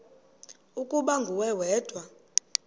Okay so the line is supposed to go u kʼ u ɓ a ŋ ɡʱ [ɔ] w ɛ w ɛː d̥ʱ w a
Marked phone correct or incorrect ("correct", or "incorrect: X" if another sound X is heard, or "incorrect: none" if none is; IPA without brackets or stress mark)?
incorrect: u